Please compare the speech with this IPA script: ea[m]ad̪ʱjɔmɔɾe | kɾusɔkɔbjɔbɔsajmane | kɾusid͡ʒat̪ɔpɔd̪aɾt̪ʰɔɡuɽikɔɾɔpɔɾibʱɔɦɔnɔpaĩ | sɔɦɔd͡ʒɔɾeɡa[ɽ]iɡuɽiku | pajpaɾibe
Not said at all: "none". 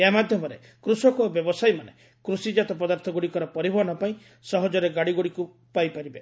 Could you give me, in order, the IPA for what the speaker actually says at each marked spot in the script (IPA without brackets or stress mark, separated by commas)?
m, ɽ